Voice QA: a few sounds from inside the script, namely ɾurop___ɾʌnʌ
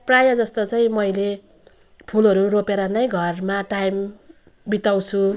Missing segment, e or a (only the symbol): e